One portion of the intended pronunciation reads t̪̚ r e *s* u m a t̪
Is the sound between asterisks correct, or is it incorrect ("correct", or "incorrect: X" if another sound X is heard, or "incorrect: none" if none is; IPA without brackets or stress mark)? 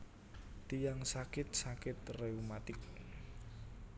incorrect: none